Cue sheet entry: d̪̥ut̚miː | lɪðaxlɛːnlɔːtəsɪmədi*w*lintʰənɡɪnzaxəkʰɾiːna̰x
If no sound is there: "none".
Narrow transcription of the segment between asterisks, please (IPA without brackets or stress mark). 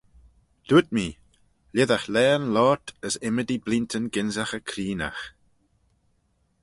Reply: b